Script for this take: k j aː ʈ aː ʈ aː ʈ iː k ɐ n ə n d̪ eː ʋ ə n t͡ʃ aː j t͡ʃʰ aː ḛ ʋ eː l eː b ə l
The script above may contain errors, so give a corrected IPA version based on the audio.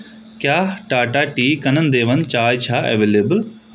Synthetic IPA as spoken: k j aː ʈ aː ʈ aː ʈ iː k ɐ n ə n d̪ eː ʋ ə n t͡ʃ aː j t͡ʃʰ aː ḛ ʋ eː l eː b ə l